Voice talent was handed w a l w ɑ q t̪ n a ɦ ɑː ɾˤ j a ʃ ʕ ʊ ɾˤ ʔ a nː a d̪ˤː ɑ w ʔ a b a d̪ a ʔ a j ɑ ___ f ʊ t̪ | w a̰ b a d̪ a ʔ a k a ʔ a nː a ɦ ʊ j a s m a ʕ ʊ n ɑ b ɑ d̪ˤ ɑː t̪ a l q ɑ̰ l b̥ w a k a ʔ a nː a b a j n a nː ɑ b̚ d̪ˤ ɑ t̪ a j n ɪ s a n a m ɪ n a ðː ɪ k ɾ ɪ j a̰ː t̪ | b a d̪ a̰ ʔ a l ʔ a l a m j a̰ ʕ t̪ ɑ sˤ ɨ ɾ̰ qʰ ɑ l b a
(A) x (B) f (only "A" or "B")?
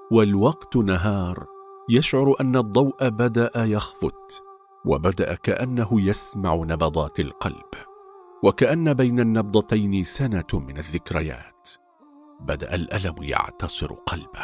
A